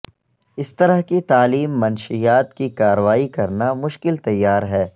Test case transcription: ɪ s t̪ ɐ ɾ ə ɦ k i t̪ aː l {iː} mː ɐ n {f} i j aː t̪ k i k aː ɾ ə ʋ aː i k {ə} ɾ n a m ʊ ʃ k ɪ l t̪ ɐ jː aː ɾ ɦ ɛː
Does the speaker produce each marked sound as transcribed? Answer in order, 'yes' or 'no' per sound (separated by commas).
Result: yes, no, no